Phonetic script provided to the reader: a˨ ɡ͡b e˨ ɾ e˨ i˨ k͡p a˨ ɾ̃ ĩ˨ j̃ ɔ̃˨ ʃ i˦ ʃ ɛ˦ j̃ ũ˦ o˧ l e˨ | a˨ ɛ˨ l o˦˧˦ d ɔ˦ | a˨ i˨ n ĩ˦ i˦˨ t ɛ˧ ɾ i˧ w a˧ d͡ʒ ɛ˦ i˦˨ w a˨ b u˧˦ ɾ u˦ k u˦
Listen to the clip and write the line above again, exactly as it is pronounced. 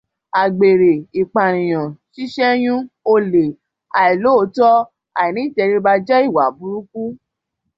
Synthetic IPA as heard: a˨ ɡ͡b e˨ ɾ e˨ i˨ k͡p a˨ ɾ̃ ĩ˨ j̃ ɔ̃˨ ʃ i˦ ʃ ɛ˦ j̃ ũ˦ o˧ l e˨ | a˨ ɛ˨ l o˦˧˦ t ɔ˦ | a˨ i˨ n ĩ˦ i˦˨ t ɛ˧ ɾ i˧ b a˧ d͡ʒ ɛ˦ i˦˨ w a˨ b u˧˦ ɾ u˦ k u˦